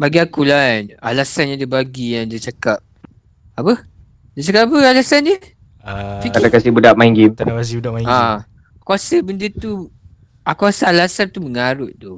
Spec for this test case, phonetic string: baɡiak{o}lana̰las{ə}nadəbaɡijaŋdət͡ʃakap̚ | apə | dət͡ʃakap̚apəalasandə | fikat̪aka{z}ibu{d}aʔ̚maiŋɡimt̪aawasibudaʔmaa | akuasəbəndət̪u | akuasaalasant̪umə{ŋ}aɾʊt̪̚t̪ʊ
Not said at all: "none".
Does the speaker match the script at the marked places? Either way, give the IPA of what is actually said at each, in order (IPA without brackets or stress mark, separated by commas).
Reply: u, a, s, d, ŋ